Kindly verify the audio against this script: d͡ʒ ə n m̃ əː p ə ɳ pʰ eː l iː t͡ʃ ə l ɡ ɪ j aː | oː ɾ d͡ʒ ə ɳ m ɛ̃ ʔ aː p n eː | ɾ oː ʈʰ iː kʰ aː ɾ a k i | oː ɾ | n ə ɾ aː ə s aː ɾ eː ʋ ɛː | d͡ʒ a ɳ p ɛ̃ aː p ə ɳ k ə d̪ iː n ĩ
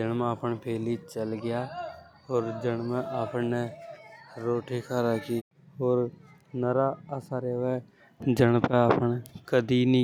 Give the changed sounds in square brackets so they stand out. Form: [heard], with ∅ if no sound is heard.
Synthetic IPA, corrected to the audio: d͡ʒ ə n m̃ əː p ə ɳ pʰ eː l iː t͡ʃ ə l ɡ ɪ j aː | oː ɾ d͡ʒ ə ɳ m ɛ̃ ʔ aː p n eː | ɾ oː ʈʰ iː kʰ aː ɾ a k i | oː ɾ | n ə ɾ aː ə s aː ɾ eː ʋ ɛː | d͡ʒ [ə] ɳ p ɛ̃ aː p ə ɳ k ə d̪ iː n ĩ

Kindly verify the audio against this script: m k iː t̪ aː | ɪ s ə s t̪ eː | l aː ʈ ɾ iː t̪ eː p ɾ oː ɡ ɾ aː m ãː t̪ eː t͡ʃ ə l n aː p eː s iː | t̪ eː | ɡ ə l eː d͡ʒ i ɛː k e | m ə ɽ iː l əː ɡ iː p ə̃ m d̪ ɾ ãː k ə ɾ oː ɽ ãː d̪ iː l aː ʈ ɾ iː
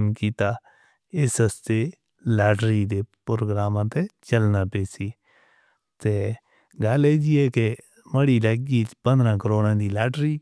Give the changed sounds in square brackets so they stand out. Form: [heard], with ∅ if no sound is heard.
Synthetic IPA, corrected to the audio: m k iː t̪ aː | ɪ s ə s t̪ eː | l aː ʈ ɾ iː [d̪] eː p ɾ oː ɡ ɾ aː m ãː t̪ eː t͡ʃ ə l n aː p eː s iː | t̪ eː | ɡ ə l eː d͡ʒ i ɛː k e | m ə ɽ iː l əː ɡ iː p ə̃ [n] d̪ ɾ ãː k ə ɾ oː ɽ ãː d̪ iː l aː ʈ ɾ iː

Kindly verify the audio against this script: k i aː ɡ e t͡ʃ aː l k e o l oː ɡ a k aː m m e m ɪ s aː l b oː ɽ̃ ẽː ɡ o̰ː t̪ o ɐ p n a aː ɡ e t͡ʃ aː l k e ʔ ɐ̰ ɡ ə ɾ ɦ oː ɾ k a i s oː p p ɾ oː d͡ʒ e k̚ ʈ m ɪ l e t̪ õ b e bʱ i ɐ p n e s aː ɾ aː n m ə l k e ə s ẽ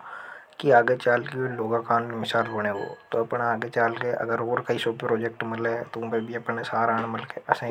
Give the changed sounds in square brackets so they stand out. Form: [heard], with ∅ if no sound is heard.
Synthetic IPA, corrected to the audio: k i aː ɡ e t͡ʃ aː l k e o l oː ɡ a k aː [n] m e m ɪ s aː l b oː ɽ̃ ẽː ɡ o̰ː t̪ o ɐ p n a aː ɡ e t͡ʃ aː l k e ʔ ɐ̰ ɡ ə ɾ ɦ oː ɾ k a i s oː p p ɾ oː d͡ʒ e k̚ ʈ m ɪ l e t̪ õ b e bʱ i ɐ p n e s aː ɾ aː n m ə l k e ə s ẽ

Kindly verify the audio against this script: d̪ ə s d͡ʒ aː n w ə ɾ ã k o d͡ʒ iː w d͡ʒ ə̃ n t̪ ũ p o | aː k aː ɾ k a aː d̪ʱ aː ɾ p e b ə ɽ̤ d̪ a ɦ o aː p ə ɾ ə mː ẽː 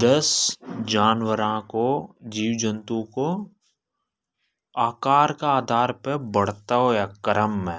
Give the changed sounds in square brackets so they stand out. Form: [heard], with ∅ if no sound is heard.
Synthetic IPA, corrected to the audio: d̪ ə s d͡ʒ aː n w ə ɾ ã k o d͡ʒ iː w d͡ʒ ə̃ n t̪ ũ [k] o | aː k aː ɾ k a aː d̪ʱ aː ɾ p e b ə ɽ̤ [t̪] a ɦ o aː [k] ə ɾ ə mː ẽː

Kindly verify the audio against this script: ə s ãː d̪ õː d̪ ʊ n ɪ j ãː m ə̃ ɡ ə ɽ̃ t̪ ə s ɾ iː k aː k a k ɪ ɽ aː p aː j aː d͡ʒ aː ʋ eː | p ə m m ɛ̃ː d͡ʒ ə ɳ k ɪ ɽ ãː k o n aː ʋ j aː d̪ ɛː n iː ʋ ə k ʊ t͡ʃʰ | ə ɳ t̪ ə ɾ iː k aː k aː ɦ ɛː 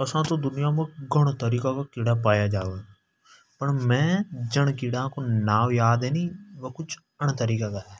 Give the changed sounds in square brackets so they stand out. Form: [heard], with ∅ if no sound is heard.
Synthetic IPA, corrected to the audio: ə s ãː [t̪] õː d̪ ʊ n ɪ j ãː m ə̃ ɡ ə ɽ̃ t̪ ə [∅] ɾ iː k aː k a k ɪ ɽ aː p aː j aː d͡ʒ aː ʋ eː | p ə [ɳ] m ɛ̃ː d͡ʒ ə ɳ k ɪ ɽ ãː k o n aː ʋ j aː d̪ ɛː n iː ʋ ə k ʊ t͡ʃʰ | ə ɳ t̪ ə ɾ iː k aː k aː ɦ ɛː

